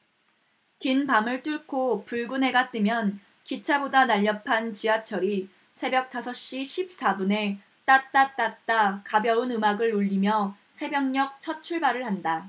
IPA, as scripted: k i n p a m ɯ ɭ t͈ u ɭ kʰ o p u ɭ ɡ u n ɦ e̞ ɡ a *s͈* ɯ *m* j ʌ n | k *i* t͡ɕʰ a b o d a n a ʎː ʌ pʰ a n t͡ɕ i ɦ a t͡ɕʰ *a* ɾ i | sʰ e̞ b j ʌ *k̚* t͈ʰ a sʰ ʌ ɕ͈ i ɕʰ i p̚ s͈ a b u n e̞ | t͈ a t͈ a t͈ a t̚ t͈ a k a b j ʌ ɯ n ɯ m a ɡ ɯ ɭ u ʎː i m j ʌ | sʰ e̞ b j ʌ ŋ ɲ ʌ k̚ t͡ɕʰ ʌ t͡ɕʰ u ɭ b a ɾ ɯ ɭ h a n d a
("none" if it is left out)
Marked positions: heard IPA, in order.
t͈, m, i, ʌ, k̚

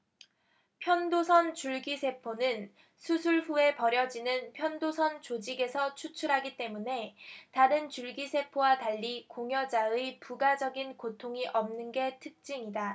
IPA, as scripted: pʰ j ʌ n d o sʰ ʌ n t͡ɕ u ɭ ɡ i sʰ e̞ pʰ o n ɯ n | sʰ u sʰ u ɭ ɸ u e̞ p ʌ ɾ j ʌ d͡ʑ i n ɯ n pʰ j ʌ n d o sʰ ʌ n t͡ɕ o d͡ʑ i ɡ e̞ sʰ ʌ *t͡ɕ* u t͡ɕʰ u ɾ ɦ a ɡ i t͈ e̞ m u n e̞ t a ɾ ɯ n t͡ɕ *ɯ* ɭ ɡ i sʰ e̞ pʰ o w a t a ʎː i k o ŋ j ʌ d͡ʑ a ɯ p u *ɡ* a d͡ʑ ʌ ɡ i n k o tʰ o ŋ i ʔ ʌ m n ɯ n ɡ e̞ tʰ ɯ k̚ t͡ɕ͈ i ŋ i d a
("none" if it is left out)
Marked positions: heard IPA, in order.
t͡ɕʰ, u, ɡ

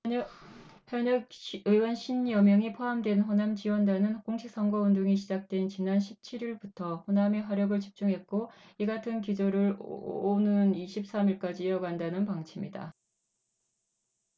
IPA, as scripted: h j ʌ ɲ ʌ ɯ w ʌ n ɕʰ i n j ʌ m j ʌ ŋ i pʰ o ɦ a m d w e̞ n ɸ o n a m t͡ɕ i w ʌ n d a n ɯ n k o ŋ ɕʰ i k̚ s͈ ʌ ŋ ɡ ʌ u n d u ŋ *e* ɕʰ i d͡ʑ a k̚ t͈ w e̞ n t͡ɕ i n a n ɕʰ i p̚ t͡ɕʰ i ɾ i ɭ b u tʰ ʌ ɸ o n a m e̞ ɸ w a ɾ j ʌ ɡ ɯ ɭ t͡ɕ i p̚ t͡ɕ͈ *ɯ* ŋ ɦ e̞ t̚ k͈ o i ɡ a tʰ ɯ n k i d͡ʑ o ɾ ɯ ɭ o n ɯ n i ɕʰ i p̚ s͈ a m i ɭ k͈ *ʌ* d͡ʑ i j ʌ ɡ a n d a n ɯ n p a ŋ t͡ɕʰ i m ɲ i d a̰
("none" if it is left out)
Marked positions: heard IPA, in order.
i, u, a

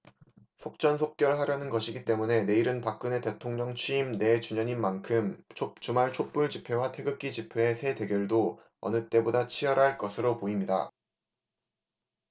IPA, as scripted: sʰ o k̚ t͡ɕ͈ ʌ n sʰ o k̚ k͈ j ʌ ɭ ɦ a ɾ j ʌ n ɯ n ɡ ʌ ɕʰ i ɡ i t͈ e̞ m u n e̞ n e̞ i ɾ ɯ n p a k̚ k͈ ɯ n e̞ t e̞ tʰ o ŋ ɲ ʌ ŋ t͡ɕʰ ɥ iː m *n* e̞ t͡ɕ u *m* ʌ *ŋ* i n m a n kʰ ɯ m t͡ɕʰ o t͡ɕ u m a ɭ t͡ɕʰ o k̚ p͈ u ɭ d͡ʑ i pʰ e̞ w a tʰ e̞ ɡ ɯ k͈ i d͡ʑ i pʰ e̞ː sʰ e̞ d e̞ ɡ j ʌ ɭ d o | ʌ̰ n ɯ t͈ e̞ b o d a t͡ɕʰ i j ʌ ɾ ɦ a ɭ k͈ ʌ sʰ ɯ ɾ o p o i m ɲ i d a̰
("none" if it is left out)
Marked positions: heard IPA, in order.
n, ɲ, ɲ

